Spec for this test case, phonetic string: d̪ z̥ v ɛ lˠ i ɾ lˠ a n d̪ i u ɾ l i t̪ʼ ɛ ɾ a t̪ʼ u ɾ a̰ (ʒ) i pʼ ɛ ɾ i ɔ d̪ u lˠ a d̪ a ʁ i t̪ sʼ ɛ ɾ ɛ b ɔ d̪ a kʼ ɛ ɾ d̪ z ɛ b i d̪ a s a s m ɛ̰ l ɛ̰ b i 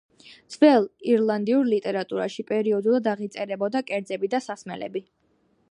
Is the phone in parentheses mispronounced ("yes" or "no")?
yes